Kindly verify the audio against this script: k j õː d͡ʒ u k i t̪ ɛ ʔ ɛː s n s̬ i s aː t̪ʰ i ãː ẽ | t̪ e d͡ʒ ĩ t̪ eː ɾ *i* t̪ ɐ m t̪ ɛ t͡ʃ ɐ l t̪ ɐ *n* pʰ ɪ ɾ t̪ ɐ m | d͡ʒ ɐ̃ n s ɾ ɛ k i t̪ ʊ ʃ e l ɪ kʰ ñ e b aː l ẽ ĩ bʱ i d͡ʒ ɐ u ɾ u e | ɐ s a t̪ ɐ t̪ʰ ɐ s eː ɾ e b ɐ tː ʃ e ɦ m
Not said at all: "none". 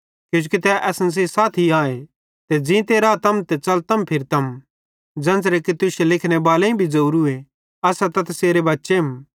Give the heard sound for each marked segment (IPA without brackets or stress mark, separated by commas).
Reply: a, m